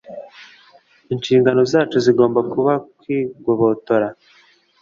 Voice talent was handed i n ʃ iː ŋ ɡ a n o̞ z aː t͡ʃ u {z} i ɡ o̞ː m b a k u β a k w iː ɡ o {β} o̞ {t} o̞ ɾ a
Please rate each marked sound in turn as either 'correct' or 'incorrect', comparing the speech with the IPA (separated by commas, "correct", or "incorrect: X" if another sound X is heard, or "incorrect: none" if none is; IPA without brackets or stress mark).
correct, correct, correct